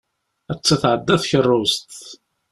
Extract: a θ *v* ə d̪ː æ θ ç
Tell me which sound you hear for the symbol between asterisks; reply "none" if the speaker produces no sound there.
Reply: ʕ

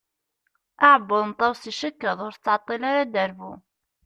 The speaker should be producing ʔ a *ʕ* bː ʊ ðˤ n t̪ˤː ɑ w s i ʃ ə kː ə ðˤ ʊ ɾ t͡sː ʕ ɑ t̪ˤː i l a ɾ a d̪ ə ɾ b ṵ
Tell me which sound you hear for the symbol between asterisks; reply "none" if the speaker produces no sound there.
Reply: ʕ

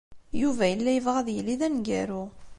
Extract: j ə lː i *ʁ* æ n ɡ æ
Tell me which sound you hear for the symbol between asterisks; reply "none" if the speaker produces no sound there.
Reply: ð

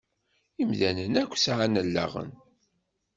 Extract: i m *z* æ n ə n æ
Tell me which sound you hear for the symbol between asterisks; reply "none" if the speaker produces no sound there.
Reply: ð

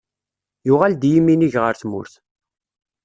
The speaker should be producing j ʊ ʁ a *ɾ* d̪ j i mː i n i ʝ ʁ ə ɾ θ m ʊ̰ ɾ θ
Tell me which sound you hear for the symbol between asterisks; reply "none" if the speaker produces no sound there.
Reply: l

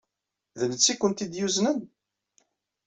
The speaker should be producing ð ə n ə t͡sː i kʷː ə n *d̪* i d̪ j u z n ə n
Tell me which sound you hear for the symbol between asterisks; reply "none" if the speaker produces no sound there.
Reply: t̪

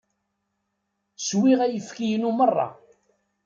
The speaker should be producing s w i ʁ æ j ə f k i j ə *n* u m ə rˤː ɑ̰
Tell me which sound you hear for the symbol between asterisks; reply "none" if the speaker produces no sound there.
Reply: n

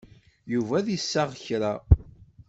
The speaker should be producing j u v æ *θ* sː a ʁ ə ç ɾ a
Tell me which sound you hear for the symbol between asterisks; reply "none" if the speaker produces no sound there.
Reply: ð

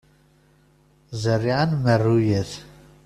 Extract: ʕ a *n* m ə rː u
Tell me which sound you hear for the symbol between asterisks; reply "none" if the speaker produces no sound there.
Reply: n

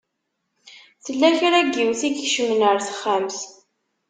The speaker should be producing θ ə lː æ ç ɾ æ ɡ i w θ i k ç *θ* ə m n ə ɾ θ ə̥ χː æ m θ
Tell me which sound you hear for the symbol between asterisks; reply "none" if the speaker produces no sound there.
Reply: ʃ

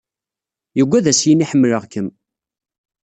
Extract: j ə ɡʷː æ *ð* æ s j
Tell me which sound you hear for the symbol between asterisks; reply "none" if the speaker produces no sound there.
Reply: ð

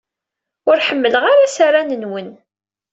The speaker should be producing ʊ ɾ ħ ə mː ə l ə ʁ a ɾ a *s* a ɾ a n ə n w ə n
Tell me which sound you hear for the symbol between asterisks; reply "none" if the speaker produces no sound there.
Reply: s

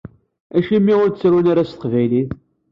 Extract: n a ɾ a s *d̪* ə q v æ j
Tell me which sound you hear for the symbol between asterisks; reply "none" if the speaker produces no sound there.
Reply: t̪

